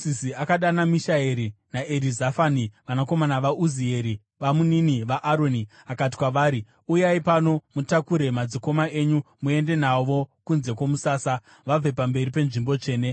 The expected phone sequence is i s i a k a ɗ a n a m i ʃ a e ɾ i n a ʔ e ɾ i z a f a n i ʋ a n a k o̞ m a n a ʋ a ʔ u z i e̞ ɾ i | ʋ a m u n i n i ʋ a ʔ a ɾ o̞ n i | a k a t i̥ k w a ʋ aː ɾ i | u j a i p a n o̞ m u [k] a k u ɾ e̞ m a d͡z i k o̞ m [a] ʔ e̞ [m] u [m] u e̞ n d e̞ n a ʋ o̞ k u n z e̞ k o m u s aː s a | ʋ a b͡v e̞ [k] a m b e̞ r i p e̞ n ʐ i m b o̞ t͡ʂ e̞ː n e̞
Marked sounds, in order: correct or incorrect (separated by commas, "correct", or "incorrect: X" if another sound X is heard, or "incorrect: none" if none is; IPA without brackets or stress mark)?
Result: incorrect: t, correct, incorrect: ɲ, correct, incorrect: p